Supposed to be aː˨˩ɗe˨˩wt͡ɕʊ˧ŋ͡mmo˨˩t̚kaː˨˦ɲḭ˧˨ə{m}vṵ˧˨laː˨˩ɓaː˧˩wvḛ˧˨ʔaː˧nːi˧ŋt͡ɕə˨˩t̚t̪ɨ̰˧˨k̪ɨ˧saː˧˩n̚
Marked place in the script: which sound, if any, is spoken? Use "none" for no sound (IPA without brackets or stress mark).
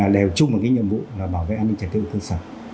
m